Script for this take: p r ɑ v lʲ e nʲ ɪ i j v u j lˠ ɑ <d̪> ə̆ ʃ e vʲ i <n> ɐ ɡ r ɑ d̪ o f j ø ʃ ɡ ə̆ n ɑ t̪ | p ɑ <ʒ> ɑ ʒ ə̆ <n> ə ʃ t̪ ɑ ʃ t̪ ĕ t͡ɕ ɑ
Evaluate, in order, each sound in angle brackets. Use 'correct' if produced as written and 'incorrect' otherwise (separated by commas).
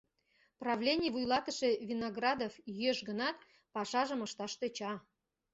incorrect, correct, incorrect, incorrect